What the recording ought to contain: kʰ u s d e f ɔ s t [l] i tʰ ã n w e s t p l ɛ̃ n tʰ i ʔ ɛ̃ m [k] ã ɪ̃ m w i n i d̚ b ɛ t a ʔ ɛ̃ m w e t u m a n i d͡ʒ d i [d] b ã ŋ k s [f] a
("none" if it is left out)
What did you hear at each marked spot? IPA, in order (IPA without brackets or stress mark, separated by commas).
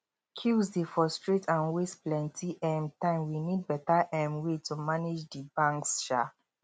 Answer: ɹ, t, none, ʃ